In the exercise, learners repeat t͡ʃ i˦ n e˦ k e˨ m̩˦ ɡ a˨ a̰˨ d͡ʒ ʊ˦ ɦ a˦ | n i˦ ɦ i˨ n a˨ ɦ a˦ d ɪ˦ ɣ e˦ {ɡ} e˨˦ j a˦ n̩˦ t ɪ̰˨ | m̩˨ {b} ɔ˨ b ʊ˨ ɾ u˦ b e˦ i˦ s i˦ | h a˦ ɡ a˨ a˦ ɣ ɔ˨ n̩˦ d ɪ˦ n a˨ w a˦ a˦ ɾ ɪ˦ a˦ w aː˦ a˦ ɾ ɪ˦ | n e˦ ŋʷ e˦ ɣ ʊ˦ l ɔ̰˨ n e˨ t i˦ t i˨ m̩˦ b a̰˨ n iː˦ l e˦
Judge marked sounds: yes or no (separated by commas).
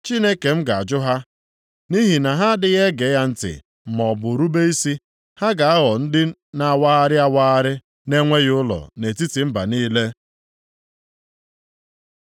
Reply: yes, no